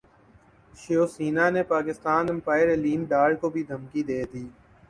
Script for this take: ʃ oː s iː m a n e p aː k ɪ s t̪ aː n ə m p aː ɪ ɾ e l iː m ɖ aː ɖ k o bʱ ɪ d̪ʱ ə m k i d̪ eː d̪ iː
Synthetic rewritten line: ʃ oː s iː n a n e p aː k ɪ s t̪ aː n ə m p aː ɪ ɾ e l iː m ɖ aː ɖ k o bʱ i d̪ʱ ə m k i d̪ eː d̪ iː